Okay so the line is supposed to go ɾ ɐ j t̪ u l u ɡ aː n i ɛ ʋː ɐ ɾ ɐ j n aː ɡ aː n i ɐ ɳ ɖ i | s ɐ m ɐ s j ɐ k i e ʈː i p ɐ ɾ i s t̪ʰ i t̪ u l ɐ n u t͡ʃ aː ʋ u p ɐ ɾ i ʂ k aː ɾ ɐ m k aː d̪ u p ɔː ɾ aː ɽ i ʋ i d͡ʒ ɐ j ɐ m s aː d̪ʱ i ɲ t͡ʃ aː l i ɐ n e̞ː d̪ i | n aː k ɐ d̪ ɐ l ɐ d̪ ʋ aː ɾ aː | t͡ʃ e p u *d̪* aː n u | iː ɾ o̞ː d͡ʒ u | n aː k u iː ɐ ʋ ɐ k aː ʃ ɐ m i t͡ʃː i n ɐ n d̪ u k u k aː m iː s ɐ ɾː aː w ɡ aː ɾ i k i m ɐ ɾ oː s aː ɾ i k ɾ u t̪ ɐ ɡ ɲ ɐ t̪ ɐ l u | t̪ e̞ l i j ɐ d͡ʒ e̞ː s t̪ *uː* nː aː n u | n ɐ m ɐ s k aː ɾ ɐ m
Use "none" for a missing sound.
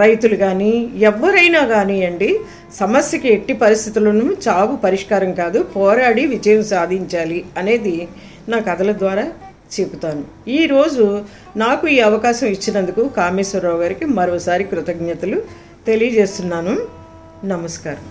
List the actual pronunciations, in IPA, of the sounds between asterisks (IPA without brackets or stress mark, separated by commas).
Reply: t̪, u